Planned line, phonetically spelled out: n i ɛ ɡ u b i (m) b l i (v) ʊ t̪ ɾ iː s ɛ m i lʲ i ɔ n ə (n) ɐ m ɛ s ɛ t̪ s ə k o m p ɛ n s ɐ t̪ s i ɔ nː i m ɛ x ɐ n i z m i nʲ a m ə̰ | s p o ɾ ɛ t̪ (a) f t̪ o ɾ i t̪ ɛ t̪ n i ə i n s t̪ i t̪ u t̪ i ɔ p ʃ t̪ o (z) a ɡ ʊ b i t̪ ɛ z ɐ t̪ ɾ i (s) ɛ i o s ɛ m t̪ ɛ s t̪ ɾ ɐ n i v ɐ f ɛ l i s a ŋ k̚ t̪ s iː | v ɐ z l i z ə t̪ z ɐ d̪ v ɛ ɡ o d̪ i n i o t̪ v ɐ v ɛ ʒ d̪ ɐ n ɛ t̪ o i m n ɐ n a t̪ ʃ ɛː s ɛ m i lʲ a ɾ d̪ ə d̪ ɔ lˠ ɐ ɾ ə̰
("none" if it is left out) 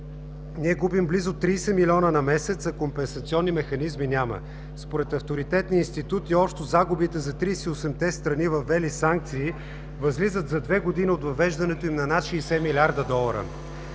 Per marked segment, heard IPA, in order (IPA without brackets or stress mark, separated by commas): m, z, n, ɐ, z, s